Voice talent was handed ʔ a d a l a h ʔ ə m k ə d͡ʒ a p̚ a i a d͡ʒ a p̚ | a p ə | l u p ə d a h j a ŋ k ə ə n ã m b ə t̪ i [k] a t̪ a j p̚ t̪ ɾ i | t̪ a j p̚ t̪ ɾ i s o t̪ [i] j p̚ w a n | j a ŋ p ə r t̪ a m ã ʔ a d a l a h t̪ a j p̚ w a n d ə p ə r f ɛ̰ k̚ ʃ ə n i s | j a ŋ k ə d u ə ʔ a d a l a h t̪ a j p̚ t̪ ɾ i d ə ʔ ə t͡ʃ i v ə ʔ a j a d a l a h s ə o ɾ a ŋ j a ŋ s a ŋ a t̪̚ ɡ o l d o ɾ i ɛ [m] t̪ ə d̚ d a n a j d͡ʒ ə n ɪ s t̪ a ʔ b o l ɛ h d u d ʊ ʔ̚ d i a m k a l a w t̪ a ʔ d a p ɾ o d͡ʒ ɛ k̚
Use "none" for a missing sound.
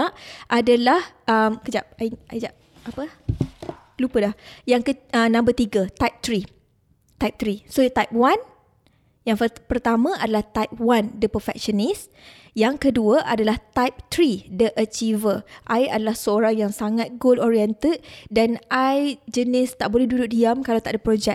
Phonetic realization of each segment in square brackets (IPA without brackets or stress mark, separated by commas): ɡ, a, n